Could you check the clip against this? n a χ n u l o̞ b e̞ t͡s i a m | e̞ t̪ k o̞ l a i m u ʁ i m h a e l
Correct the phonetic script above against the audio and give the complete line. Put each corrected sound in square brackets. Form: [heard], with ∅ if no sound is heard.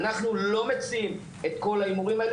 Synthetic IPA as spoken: n a χ n u l o̞ [m] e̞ t͡s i [i] m | e̞ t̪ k o̞ l a i m u ʁ i m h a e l